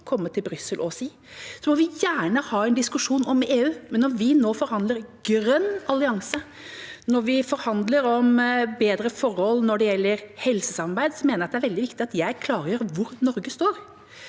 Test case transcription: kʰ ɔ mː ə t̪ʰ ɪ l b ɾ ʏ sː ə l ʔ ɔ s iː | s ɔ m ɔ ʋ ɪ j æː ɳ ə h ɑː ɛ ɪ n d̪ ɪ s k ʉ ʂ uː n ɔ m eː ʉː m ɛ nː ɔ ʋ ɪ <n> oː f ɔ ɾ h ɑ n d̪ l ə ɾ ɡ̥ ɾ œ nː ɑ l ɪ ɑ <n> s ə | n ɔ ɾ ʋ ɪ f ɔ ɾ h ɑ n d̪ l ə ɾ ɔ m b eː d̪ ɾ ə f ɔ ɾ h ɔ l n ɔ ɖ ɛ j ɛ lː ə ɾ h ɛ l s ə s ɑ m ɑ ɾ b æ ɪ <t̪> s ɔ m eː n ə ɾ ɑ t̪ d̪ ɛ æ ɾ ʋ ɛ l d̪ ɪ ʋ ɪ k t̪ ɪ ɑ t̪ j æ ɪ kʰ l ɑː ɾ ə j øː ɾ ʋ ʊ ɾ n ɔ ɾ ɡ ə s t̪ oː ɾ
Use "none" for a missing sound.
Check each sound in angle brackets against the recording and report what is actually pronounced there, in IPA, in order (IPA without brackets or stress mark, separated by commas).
n, ŋ, d̪